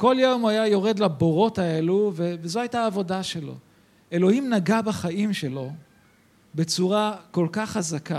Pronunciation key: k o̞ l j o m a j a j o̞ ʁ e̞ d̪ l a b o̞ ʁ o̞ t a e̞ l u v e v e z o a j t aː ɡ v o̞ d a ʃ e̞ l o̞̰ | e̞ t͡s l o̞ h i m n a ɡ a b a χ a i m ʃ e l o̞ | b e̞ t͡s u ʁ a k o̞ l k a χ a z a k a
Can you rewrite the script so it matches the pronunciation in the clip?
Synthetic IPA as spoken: k o̞ l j o m a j a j o̞ ʁ e̞ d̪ l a b o̞ ʁ o̞ t a e̞ l u v e v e z o a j t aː v o̞ d a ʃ e̞ l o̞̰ | e̞ l o̞ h i m n a ɡ a b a χ a i m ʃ e l o̞ | b e̞ t͡s u ʁ a k o̞ l k a χ a z a k a